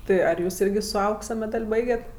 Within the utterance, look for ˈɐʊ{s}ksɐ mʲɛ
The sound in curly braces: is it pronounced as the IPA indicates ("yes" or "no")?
no